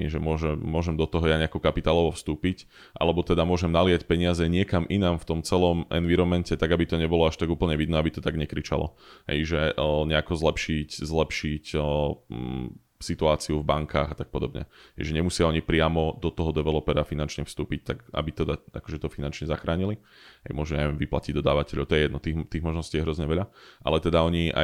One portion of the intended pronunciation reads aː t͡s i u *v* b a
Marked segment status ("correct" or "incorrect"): correct